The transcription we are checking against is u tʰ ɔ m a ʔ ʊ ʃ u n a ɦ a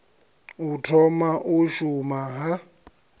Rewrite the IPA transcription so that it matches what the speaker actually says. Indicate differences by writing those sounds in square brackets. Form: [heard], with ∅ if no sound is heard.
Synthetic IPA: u tʰ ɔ m a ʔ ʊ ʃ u [m] a ɦ a